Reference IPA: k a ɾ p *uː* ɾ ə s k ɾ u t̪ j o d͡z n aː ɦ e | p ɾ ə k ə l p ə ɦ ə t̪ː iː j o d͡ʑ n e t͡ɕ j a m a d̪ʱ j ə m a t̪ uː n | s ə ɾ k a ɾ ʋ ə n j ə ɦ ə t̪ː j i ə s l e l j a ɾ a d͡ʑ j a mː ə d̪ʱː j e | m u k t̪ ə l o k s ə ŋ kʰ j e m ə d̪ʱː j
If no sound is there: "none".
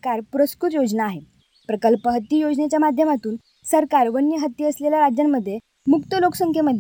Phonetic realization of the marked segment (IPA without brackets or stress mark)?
u